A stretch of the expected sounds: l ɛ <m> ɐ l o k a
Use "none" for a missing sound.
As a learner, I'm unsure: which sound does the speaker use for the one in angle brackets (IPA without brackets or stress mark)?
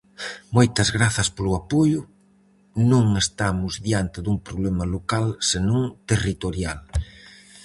m